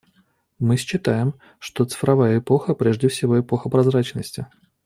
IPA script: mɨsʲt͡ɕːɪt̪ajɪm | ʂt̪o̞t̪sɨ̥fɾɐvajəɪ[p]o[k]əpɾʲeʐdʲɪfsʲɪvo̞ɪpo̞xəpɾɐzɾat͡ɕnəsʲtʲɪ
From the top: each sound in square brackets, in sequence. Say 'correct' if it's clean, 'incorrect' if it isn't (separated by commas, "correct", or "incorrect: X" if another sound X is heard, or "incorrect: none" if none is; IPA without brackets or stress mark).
correct, incorrect: x